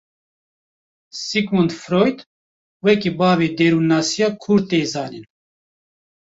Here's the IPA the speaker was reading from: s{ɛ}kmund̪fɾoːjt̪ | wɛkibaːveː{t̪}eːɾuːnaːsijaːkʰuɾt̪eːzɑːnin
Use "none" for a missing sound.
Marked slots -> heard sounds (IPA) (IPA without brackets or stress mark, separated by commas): i, d̪